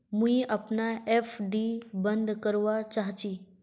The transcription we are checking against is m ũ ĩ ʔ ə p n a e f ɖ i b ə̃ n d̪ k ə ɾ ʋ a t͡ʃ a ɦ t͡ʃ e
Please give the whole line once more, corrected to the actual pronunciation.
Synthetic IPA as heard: m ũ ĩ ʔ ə p n a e f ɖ i b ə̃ n d̪ k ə ɾ ʋ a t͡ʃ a ɦ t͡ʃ i

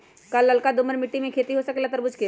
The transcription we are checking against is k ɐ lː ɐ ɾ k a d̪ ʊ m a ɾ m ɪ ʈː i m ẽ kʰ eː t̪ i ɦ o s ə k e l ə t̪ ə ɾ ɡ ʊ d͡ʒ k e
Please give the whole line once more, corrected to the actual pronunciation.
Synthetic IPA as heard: k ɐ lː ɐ l k a d̪ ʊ m ə ɾ m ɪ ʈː i m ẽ kʰ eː t̪ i ɦ o s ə k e l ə t̪ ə ɾ b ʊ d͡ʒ k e

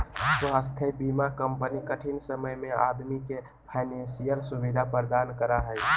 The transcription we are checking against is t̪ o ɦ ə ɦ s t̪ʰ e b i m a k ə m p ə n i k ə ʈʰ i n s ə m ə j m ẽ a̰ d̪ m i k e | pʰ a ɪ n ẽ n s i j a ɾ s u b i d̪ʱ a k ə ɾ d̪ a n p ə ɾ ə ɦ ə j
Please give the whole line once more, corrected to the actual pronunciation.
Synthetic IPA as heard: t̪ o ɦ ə s t̪ʰ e b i m a k ə m p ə n i k ə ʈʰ i n s ə m ə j m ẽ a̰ d̪ m i k e | pʰ a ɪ n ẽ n s i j ə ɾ s u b i d̪ʱ a p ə ɾ d̪ a n k ə ɾ a ɦ ə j

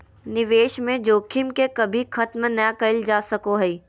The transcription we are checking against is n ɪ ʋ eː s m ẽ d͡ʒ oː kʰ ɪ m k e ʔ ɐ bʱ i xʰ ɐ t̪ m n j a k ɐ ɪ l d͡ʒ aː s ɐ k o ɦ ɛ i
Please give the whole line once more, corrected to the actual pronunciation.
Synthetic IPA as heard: n ɪ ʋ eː ʃ m ẽ d͡ʒ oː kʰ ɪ m k e k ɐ bʱ i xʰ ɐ t̪ m n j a k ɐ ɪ l d͡ʒ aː s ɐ k o ɦ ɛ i

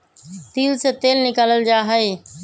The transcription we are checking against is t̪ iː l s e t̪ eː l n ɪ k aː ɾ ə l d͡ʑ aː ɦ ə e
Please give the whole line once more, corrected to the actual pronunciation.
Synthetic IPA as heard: t̪ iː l s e t̪ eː l n ɪ k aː l ə l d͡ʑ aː ɦ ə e

